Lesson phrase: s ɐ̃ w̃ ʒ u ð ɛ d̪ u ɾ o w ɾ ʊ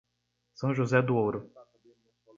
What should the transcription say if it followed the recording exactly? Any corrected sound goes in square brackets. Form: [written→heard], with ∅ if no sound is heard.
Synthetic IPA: s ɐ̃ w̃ ʒ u [ð→z] ɛ d̪ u [ɾ→∅] o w ɾ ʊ